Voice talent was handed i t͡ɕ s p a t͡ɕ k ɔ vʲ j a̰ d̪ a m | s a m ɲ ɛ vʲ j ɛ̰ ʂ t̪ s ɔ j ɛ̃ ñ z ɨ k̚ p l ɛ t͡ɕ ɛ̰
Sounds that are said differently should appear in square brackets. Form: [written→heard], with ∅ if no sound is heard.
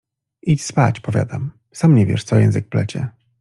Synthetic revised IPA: i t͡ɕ s p a t͡ɕ [k→p] ɔ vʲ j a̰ d̪ a m | s a m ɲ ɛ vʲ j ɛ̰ ʂ t̪ s ɔ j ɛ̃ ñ z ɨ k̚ p l ɛ t͡ɕ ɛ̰